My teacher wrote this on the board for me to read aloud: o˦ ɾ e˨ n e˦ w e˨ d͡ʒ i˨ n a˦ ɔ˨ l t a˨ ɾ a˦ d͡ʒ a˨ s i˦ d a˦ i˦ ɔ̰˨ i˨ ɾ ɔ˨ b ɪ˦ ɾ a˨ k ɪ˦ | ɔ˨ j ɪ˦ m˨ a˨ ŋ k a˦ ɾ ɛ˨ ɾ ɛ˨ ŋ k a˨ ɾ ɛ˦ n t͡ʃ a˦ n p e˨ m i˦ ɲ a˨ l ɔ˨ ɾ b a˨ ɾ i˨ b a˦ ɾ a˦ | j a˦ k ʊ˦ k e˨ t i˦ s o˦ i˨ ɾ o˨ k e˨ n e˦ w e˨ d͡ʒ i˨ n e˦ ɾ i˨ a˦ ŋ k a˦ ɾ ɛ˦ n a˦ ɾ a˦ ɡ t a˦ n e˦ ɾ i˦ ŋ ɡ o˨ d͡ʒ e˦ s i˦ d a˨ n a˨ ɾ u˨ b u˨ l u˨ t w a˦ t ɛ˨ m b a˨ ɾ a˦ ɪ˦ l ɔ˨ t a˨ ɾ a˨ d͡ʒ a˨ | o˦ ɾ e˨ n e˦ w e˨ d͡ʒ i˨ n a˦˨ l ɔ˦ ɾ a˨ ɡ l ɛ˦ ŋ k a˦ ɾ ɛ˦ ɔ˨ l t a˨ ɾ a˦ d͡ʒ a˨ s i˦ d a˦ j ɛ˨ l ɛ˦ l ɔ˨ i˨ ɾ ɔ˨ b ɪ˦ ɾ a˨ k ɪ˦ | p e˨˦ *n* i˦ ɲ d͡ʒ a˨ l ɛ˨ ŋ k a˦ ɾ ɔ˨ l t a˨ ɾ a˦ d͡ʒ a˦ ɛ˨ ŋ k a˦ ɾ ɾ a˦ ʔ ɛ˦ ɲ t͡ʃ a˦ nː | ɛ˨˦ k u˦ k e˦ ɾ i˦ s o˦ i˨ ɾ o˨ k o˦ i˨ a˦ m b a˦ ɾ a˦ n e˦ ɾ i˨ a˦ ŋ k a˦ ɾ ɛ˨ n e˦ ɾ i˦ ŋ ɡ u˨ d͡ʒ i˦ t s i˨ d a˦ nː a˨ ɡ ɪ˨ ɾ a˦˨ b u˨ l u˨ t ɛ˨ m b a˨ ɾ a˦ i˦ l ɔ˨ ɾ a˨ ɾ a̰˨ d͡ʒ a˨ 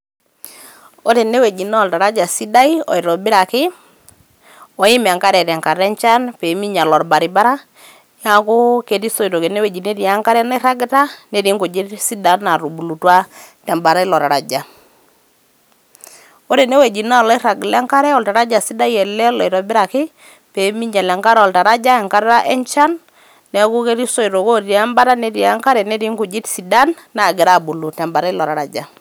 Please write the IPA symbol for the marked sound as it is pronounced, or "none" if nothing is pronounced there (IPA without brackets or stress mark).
m